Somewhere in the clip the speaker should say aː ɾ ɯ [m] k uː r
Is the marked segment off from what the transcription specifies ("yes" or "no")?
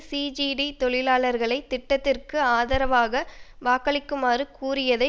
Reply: yes